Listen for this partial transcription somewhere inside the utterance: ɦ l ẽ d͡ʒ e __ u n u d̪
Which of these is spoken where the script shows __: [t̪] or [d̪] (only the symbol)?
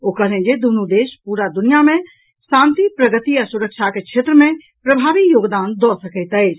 d̪